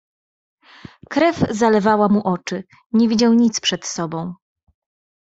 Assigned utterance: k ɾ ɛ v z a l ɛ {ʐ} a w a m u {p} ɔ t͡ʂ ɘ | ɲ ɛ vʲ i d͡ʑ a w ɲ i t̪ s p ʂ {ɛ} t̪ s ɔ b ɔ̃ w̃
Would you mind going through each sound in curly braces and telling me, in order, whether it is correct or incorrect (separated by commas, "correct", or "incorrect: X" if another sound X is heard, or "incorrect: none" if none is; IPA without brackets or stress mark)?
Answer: incorrect: v, incorrect: ʔ, correct